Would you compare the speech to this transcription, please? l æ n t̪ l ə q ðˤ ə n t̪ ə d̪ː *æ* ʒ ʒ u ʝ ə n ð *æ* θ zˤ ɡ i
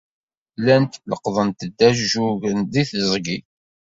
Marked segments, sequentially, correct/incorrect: correct, incorrect

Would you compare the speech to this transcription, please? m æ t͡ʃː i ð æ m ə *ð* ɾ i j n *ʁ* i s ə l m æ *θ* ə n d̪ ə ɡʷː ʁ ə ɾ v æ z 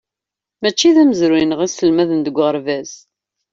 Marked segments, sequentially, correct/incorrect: incorrect, correct, incorrect

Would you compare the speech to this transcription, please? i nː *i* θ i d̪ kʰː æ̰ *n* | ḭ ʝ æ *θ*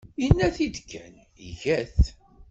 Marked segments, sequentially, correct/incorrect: incorrect, correct, correct

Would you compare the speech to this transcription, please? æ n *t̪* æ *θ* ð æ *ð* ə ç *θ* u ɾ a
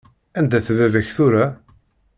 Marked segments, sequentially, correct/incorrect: incorrect, correct, correct, correct

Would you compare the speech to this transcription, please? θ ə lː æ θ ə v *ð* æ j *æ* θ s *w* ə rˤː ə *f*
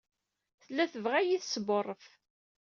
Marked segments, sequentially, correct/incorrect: incorrect, incorrect, incorrect, correct

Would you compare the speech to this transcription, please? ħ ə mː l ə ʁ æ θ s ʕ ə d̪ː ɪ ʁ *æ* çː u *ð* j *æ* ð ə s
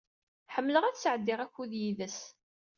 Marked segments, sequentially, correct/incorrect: correct, correct, incorrect

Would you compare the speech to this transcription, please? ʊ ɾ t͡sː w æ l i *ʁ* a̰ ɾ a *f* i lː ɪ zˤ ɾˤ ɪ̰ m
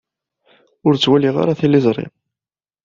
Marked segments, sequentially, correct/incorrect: correct, incorrect

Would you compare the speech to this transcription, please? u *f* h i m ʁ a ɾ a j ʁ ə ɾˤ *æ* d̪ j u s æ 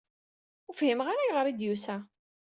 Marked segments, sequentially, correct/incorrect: correct, incorrect

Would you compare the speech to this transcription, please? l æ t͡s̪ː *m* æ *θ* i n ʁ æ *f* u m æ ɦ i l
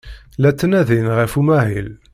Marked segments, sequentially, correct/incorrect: incorrect, incorrect, correct

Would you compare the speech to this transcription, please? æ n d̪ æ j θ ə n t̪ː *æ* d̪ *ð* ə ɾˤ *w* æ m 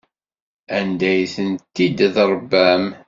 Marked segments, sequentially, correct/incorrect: incorrect, correct, incorrect

